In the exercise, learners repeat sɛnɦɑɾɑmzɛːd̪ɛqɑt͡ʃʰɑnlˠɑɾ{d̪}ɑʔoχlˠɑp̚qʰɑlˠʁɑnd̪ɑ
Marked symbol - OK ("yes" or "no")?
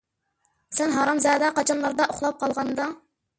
yes